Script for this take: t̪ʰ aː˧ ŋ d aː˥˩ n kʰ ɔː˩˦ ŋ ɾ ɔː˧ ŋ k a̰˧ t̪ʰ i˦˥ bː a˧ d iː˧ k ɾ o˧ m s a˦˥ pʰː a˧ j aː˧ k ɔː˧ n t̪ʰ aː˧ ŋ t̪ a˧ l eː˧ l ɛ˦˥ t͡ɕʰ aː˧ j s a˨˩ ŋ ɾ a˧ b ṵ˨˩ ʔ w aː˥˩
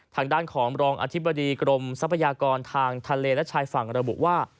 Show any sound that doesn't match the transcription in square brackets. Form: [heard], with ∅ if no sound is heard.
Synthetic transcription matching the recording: t̪ʰ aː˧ ŋ d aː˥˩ n kʰ ɔː˩˦ ŋ ɾ ɔː˧ ŋ [ʔ] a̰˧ t̪ʰ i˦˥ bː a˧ d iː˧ k ɾ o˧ m s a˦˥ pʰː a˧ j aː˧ k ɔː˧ n t̪ʰ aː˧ ŋ [t̪ʰ] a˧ l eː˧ l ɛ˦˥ t͡ɕʰ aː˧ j [f] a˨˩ ŋ ɾ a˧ b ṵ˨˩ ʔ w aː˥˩

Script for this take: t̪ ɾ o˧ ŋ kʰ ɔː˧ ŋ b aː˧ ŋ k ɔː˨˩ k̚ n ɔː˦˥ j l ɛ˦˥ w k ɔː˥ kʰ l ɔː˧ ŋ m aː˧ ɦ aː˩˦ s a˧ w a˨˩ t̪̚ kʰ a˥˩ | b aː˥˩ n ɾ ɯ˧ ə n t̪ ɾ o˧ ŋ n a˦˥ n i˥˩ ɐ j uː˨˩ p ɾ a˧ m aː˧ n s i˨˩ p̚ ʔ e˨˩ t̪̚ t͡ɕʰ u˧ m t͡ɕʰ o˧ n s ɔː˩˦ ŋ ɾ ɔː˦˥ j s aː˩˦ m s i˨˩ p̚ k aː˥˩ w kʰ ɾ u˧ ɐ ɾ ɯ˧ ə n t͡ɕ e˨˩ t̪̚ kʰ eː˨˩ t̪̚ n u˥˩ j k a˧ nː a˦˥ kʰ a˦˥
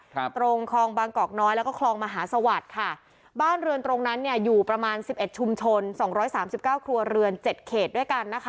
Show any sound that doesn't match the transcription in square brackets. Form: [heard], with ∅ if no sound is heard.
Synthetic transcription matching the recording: t̪ ɾ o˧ ŋ kʰ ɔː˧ ŋ b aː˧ ŋ k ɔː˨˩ k̚ n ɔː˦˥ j l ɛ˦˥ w k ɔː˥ kʰ l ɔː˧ ŋ m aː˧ ɦ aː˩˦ s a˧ w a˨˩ t̪̚ kʰ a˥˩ | b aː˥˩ n ɾ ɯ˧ ə n t̪ ɾ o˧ ŋ n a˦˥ [nː] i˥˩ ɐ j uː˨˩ p ɾ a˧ m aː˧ n s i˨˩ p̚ ʔ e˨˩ t̪̚ t͡ɕʰ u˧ m t͡ɕʰ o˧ n s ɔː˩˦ ŋ ɾ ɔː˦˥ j s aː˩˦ m s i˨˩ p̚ k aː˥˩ w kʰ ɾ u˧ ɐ ɾ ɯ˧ ə n t͡ɕ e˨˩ t̪̚ kʰ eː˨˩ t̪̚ [d] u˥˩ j k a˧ nː a˦˥ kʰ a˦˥

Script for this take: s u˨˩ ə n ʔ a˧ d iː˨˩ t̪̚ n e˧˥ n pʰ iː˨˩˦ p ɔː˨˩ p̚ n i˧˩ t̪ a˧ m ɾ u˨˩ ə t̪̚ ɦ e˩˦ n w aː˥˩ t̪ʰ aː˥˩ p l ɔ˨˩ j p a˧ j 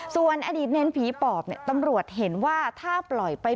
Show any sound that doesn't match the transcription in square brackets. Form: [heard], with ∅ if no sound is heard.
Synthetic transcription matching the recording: s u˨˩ ə n ʔ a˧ d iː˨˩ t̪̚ n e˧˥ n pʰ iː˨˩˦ p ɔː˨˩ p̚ n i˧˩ t̪ a˧ m ɾ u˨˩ ə t̪̚ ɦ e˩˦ n w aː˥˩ t̪ʰ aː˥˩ p l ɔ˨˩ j p a˧ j

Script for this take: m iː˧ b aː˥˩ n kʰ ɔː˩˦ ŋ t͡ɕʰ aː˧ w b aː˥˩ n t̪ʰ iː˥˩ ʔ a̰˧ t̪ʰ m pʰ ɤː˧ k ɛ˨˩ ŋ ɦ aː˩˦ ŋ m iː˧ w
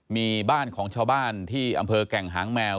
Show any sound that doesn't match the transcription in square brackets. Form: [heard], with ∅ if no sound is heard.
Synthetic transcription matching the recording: m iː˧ b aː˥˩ n kʰ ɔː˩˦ ŋ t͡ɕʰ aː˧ w b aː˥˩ n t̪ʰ iː˥˩ ʔ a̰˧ [∅] m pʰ ɤː˧ k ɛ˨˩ ŋ ɦ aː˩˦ ŋ m [ɛː˧] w

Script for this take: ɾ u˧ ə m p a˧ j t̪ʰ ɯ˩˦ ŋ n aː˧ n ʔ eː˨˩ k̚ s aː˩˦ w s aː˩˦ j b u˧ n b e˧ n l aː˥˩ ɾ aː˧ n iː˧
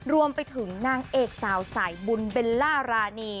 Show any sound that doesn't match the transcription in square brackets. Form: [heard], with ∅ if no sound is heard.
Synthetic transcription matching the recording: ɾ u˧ ə m p a˧ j t̪ʰ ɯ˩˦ ŋ n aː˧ [ŋ] ʔ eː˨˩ k̚ s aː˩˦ w s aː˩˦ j b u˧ n b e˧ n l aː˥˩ ɾ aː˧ n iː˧

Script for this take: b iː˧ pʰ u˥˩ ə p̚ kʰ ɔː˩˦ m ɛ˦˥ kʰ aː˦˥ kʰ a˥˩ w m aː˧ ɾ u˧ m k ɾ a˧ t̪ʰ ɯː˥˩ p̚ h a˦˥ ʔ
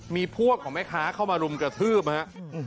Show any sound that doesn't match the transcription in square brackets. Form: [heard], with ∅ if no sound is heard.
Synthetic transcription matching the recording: [m] iː˧ pʰ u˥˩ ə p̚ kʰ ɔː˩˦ m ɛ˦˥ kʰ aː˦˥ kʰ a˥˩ w m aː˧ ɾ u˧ m k ɾ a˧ t̪ʰ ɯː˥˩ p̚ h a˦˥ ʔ

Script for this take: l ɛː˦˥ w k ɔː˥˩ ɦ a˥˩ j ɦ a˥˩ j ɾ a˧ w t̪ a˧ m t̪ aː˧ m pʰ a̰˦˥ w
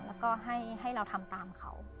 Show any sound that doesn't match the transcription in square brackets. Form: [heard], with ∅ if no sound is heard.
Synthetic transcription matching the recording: l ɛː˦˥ w k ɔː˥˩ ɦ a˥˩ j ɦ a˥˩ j ɾ a˧ w [t̪ʰ] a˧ m t̪ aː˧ m [kʰ] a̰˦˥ w

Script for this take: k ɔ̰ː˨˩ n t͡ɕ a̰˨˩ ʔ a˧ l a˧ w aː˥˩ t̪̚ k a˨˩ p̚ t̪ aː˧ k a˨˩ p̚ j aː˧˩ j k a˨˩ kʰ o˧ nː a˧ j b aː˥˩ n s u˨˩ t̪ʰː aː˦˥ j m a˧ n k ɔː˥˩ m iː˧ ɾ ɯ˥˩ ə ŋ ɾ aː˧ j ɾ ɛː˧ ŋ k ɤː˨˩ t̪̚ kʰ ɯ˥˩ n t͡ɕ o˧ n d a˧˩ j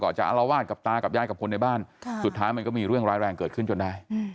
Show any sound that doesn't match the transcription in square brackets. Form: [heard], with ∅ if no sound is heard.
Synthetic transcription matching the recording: k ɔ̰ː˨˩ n t͡ɕ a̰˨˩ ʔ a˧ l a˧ w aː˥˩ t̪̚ k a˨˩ p̚ t̪ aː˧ k a˨˩ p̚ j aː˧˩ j k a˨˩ kʰ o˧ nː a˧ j b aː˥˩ n s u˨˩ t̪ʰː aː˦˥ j m a˧ n k ɔː˥˩ m iː˧ ɾ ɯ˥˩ ə ŋ ɾ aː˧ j ɾ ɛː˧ ŋ k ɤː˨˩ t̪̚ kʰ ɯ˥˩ n t͡ɕ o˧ n d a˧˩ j

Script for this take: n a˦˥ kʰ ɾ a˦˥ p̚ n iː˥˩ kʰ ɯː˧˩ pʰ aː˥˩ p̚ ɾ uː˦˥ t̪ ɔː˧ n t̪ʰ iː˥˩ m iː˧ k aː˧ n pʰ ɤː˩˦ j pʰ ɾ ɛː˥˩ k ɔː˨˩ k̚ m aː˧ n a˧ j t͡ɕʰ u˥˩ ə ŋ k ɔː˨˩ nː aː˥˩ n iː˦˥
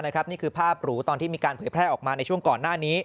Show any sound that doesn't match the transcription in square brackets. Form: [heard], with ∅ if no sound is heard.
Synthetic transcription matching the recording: n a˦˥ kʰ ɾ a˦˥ p̚ n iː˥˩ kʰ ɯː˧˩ pʰ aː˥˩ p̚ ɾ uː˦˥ t̪ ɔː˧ n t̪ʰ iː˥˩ m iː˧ k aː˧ n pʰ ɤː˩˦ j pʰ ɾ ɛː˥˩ [ʔ] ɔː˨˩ k̚ m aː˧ n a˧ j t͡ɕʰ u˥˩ ə ŋ k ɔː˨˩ nː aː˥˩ n iː˦˥

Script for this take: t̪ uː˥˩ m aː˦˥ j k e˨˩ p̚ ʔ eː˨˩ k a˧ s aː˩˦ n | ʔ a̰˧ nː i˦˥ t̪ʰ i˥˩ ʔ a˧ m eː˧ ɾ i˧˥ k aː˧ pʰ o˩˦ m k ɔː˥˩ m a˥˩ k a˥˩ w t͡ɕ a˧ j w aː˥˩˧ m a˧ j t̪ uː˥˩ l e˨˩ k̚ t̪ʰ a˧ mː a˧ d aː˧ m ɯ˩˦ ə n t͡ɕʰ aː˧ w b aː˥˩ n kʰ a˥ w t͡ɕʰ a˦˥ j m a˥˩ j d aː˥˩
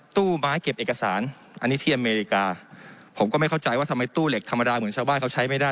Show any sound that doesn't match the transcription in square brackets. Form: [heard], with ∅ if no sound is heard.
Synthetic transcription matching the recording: t̪ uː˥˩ m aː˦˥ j k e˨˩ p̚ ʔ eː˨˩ k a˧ s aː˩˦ n | ʔ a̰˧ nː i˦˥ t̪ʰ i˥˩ ʔ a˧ m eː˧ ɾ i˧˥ k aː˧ pʰ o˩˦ m k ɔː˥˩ m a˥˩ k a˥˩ w t͡ɕ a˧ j w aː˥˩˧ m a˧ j t̪ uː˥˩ l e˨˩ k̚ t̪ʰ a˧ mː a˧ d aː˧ m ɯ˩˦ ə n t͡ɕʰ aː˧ w b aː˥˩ n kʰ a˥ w t͡ɕʰ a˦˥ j m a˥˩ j d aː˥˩

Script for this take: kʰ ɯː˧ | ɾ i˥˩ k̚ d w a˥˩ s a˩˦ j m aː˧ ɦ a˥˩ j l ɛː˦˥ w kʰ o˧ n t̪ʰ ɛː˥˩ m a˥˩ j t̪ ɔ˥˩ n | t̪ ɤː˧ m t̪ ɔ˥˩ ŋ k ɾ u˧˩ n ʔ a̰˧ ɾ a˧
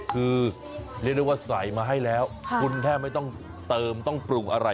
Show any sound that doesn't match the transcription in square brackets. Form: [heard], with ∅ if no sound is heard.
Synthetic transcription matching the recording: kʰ ɯː˧ | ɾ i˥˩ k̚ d w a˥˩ s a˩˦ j m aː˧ ɦ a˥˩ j l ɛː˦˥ w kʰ [u˧] n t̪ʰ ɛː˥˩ m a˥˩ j t̪ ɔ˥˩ [ŋ] | t̪ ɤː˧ m t̪ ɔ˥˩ ŋ [p] ɾ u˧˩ [ŋ] ʔ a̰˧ ɾ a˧

